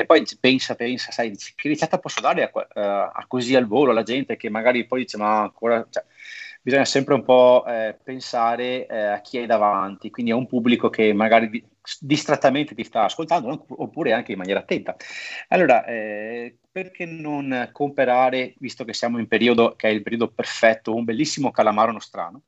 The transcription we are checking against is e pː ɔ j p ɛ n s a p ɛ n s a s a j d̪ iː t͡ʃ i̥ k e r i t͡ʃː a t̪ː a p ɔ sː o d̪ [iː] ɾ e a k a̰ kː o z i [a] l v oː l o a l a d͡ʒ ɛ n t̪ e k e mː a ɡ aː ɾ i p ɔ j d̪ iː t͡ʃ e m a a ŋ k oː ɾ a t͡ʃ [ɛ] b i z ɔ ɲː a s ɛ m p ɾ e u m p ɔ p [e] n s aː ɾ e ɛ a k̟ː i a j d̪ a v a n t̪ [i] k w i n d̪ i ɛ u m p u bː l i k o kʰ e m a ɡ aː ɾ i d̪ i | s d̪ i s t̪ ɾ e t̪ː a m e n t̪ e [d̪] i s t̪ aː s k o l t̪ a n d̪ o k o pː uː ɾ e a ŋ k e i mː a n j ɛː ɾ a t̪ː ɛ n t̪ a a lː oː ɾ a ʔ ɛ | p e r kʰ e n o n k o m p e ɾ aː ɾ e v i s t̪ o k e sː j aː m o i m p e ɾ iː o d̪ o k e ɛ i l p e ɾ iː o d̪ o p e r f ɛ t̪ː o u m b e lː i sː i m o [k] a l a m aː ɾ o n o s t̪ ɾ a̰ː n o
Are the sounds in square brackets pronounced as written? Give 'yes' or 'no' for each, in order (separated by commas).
no, yes, yes, yes, yes, no, yes